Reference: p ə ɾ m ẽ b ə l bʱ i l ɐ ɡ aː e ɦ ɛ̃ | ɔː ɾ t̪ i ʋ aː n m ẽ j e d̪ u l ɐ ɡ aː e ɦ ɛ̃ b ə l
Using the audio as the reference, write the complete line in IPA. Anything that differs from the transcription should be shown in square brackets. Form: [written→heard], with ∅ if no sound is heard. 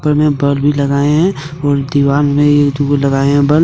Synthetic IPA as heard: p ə ɾ m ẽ b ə l bʱ i l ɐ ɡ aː e ɦ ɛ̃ | ɔː ɾ [t̪→d̪] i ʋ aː n m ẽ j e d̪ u l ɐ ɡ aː e ɦ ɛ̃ b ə l